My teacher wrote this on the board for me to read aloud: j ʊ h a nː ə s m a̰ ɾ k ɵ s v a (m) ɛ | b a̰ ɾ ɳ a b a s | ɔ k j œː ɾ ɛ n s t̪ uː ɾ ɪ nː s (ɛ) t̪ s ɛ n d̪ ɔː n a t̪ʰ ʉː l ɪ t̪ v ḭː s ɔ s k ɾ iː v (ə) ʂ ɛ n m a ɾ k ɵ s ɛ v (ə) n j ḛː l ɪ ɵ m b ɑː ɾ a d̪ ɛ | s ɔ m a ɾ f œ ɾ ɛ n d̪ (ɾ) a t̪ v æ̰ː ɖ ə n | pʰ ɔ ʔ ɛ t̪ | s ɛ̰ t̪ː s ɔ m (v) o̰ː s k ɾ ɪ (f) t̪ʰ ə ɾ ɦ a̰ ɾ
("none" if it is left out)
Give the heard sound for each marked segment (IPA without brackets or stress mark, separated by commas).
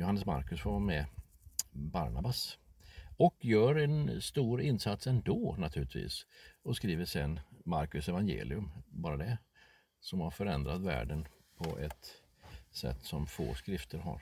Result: m, a, ə, a, ɾ, f, f